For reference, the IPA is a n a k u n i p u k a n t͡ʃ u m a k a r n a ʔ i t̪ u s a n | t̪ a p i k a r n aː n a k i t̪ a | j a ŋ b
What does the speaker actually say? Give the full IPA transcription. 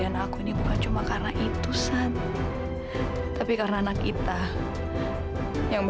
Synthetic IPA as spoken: a n a k u n i b u k a n t͡ʃ u m a k a r n a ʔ i t̪ u s a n | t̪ a p i k a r n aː n a k i t̪ a | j a ŋ b